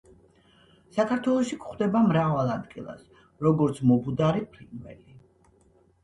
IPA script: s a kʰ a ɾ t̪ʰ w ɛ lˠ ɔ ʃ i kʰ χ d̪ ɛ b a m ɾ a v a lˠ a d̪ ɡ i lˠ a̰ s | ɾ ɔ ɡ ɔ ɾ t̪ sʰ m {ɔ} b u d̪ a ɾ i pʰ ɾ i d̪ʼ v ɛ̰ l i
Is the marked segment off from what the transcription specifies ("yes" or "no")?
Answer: no